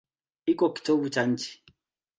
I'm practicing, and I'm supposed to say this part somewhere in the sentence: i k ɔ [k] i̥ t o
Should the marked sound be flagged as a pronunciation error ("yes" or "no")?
no